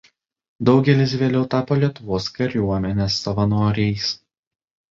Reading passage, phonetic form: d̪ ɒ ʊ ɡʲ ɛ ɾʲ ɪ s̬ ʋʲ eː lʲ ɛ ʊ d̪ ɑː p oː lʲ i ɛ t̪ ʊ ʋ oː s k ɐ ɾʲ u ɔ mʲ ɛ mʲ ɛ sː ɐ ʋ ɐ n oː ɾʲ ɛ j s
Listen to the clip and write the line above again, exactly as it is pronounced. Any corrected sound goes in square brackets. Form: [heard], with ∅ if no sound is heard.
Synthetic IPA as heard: d̪ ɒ ʊ ɡʲ ɛ [lʲ] ɪ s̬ ʋʲ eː lʲ ɛ ʊ [t̪] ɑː p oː lʲ i ɛ t̪ ʊ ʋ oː s k ɐ ɾʲ u ɔ mʲ ɛ [nʲ] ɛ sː ɐ ʋ ɐ n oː ɾʲ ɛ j s